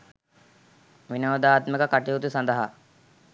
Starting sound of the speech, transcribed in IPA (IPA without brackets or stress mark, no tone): ʋ